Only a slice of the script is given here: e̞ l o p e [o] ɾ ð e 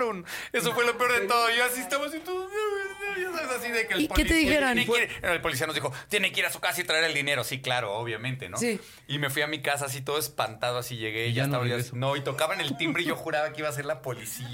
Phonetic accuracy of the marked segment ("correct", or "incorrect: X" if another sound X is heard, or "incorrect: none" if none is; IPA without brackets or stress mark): correct